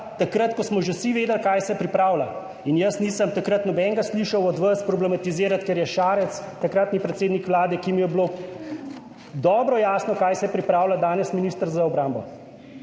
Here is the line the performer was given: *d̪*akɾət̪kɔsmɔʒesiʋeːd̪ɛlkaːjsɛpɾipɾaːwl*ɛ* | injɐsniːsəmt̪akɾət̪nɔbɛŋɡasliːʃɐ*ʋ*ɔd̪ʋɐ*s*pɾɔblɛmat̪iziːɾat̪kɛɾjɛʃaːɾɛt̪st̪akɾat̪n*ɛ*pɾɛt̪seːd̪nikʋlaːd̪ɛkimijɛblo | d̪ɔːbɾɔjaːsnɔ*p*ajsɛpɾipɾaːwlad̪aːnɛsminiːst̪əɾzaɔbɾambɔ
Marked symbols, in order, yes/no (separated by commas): no, no, no, yes, no, no